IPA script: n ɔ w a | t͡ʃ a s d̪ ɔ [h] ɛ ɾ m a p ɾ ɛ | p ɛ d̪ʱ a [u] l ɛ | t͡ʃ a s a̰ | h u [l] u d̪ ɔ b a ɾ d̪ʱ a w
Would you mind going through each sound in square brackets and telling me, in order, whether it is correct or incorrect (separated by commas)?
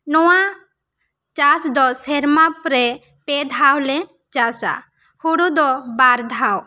incorrect, incorrect, incorrect